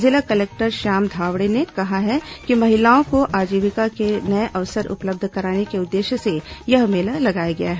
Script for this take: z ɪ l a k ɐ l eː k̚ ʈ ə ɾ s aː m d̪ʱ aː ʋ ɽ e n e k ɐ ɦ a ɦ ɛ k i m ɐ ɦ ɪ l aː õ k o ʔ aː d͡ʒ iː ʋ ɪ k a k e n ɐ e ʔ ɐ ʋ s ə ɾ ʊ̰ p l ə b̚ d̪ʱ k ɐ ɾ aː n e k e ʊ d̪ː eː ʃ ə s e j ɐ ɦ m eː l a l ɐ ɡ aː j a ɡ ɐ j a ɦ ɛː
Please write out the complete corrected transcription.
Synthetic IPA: z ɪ l a k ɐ l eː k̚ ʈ ə ɾ ʃ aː m d̪ʱ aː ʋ ɽ e n e k ɐ ɦ a ɦ ɛ k i m ɐ ɦ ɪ l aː õ k o ʔ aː d͡ʒ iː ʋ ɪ k a k e n ɐ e ʔ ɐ ʋ s ə ɾ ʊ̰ p l ə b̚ d̪ʱ k ɐ ɾ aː n e k e ʊ d̪ː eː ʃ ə s e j ɐ ɦ m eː l a l ɐ ɡ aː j a ɡ ɐ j a ɦ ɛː